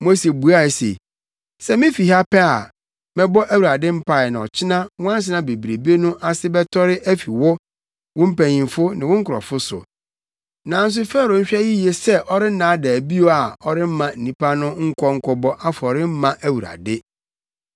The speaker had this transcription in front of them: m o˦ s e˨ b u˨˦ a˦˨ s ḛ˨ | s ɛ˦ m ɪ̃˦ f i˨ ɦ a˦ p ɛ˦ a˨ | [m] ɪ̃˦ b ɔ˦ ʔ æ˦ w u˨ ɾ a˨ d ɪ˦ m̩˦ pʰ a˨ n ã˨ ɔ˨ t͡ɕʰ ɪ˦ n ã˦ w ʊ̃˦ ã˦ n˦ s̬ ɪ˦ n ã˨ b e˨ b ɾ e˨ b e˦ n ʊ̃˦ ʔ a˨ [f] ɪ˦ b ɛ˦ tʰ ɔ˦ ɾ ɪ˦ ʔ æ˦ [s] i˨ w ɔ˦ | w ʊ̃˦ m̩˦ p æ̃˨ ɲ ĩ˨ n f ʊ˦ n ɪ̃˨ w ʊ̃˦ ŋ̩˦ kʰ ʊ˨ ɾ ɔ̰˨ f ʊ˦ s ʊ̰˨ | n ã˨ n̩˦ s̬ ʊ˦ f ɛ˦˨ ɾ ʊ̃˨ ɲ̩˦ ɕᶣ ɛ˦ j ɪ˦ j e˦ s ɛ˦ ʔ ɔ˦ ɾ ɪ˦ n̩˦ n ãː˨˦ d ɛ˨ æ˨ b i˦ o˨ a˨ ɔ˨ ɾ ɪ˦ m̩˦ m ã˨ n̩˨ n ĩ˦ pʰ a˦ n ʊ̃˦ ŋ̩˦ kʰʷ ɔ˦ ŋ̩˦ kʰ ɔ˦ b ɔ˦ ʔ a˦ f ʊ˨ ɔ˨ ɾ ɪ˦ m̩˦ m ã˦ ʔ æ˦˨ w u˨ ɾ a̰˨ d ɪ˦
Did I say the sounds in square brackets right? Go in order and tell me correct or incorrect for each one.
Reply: correct, incorrect: s, incorrect: f

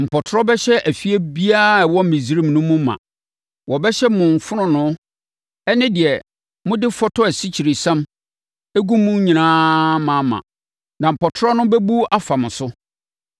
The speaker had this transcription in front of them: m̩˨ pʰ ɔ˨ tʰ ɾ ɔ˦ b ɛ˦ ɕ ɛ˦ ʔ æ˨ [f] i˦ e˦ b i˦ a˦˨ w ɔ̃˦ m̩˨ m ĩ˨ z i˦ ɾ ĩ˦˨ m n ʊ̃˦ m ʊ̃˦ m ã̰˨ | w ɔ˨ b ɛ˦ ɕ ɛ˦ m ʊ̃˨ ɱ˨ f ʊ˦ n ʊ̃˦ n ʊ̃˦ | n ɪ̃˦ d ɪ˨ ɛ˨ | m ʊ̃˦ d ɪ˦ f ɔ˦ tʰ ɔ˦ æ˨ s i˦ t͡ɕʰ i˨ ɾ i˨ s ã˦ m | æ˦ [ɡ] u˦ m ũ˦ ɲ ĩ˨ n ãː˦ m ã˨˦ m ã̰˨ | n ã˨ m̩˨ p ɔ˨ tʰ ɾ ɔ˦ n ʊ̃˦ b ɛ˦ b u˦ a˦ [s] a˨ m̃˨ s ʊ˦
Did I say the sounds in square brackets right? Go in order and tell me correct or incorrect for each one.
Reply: correct, correct, incorrect: f

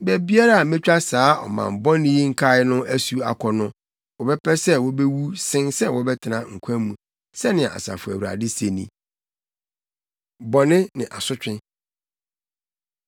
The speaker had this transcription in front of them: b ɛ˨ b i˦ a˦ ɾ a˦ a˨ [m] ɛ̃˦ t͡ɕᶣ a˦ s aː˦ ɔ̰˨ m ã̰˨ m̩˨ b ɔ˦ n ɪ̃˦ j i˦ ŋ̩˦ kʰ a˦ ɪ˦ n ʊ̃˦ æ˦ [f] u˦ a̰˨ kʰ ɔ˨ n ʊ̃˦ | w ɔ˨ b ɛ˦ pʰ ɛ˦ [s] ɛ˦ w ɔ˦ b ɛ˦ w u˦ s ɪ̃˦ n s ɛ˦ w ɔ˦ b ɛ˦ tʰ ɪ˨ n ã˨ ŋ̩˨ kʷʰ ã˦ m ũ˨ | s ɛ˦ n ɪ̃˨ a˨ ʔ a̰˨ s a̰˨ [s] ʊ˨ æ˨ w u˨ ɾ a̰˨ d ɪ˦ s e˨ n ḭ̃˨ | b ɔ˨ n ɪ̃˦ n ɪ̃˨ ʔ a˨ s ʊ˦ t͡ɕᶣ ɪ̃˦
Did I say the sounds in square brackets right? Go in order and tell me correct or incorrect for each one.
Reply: correct, incorrect: s, correct, incorrect: f

